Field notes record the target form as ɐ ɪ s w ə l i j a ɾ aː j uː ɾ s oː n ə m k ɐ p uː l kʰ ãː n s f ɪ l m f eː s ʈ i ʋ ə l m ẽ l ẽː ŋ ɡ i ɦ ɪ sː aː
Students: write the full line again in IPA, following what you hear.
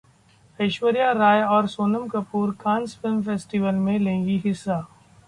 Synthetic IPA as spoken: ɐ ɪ ʃ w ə ɾ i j a ɾ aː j ɔː ɾ s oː n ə m k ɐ p uː ɾ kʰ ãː n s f ɪ l m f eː s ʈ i ʋ ə l m ẽ l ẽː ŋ ɡ i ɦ ɪ sː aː

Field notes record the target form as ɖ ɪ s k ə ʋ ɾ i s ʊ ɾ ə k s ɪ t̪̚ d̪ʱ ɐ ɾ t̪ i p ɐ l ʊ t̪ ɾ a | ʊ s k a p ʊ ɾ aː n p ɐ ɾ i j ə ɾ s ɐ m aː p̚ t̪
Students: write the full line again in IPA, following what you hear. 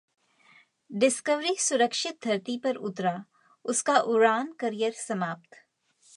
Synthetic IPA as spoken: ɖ ɪ s k ə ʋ ɾ i s ʊ ɾ ə k ʃ ɪ t̪̚ d̪ʱ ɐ ɾ t̪ i p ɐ ɾ ʊ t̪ ɾ a | ʊ s k a ʔ ʊ ɾ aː n k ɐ ɾ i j ə ɾ s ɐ m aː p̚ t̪

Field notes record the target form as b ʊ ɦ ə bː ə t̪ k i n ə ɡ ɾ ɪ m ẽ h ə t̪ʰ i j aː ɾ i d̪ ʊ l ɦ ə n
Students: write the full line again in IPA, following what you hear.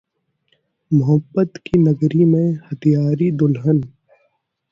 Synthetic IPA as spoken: m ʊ ɦ ə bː ə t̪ k i n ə ɡ ɾ i m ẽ h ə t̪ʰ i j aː ɾ i d̪ ʊ l ɦ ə n

